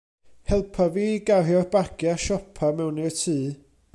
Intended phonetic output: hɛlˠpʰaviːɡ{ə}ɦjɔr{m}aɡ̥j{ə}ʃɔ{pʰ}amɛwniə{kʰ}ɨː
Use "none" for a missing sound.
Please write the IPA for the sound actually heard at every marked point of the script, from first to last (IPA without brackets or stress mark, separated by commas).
a, b, a, pʰ, tʰ